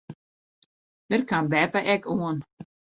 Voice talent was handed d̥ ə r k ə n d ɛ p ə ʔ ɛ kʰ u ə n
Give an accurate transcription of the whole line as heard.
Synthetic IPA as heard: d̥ ə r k a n b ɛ p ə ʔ ɛ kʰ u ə n